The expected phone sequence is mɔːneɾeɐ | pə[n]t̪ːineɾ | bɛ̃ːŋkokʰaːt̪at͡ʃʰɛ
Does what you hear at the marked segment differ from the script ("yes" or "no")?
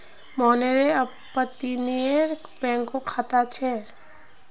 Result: yes